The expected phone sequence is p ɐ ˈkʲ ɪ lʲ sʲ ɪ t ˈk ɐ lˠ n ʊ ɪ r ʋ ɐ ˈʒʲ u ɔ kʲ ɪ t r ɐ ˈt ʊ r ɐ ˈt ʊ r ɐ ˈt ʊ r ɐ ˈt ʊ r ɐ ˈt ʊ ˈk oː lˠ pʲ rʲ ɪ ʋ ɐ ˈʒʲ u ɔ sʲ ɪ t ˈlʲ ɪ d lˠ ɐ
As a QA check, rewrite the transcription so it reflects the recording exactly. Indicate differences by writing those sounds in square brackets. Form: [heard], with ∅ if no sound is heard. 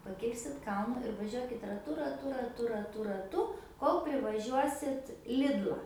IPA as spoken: p ɐ ˈkʲ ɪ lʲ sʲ ɪ t ˈk ɐ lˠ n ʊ ɪ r ʋ ɐ ˈʒʲ u ɔ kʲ ɪ t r ɐ ˈt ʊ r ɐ ˈt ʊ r ɐ ˈt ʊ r ɐ ˈt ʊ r ɐ ˈt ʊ ˈk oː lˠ pʲ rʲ ɪ ʋ ɐ ˈʒʲ u ɔ sʲ ɪ t ˈlʲ ɪ d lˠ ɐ